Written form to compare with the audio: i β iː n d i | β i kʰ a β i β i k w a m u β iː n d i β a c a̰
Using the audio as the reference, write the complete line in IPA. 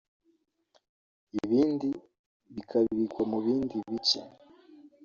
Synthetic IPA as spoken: i β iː n d i | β i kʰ a β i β i k w a m u β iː n d i β i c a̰